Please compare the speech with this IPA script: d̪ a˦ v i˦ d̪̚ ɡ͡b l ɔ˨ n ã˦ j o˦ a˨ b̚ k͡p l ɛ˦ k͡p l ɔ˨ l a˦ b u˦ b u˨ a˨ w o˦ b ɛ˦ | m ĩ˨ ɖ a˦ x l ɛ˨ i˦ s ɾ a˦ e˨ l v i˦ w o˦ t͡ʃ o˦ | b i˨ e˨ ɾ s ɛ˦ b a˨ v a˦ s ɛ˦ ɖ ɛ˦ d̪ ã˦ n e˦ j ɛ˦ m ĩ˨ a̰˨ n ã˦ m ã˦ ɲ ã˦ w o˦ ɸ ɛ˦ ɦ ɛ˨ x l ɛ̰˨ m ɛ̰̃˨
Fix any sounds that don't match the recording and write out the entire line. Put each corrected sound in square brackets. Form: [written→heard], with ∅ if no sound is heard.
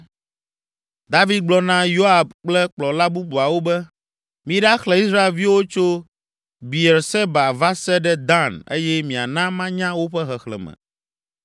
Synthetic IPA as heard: d̪ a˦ v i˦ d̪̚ ɡ͡b l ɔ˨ n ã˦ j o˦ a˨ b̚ k͡p l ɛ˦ k͡p l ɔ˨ l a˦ b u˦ b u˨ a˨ w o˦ b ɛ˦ | m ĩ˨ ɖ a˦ x l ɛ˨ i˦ s ɾ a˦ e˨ l v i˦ w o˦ t͡ʃ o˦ | b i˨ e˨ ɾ s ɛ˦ b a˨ v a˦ s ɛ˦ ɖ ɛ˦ d̪ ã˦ n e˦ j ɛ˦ m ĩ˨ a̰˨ n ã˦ m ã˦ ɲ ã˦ w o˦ ɸ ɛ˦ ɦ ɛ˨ x l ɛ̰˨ m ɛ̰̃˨